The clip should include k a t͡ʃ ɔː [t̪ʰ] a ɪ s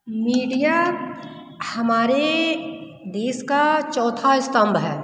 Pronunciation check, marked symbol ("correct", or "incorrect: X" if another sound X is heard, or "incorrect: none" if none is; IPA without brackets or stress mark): correct